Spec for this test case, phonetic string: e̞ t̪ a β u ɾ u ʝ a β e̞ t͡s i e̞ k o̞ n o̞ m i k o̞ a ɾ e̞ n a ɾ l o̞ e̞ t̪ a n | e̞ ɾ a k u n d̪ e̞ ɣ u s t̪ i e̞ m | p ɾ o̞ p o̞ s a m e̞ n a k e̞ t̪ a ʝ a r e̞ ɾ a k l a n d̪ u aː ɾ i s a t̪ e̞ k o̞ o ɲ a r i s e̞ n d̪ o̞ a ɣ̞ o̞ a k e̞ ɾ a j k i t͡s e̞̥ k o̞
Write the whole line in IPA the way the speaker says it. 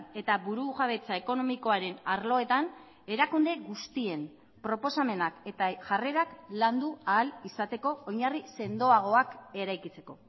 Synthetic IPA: e̞ t̪ a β u ɾ u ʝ a β e̞ t͡s a e̞ k o̞ n o̞ m i k o̞ a ɾ e̞ n a ɾ l o̞ e̞ t̪ a n | e̞ ɾ a k u n d̪ e̞ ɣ u s t̪ i e̞ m | p ɾ o̞ p o̞ s a m e̞ n a k e̞ t̪ a ʝ a r e̞ ɾ a k l a n d̪ u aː l i s a t̪ e̞ k o̞ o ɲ a r i s e̞ n d̪ o̞ a ɣ̞ o̞ a k e̞ ɾ a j k i t͡s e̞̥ k o̞